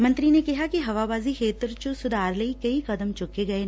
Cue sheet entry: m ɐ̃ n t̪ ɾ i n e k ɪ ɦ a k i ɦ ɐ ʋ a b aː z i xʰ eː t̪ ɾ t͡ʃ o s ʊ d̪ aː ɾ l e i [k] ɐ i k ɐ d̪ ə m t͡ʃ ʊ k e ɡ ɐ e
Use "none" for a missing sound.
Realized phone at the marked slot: k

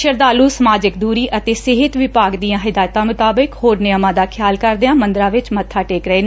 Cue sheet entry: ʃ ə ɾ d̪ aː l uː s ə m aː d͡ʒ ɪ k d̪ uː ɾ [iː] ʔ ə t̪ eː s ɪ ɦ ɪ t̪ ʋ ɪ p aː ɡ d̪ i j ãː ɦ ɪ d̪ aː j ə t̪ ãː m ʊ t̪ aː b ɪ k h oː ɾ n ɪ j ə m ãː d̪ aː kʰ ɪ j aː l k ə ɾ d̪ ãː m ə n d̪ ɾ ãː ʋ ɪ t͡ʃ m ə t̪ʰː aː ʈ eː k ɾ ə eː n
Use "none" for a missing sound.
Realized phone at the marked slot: iː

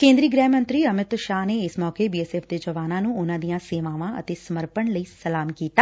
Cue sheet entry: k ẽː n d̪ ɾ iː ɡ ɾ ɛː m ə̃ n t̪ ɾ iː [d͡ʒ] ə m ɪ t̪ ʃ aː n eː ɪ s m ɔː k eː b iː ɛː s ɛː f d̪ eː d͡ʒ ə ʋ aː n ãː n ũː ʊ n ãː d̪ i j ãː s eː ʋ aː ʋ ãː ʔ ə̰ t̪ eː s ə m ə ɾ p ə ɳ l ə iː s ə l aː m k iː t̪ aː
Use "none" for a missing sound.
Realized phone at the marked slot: none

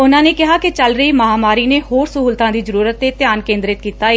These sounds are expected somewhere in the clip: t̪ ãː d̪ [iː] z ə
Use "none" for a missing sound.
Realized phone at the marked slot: iː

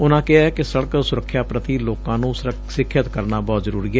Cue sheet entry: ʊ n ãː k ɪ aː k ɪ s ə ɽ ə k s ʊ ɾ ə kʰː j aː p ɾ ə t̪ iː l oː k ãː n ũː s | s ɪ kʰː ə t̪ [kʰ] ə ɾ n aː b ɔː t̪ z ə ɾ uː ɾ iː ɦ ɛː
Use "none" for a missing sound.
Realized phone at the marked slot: k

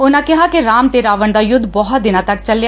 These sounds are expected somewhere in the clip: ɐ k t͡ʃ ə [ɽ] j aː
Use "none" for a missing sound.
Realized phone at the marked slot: l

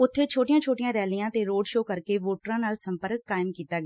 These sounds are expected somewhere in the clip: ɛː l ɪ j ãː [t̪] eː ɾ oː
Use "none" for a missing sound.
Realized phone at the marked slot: t̪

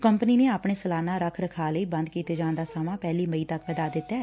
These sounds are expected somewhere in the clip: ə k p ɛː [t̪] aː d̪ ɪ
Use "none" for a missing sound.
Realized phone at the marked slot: d̪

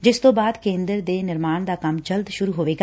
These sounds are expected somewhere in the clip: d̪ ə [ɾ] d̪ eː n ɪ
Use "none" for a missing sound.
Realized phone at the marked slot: ɾ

